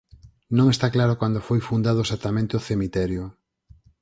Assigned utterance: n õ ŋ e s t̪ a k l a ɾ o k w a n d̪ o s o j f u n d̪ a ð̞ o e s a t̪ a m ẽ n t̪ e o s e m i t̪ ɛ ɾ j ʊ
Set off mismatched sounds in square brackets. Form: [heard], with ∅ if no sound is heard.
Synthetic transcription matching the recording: n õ ŋ e s t̪ a k l a ɾ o k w a n d̪ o [f] o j f u n d̪ a ð̞ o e s a t̪ a m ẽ n t̪ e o [θ] e m i t̪ ɛ ɾ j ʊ